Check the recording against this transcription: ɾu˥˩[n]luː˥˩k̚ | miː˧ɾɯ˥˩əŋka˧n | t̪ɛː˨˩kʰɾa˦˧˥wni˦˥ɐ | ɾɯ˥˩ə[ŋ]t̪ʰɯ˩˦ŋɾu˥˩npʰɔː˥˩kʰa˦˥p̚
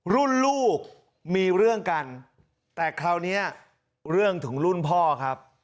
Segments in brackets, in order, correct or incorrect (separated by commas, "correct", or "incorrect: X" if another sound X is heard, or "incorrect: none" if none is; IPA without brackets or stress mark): correct, correct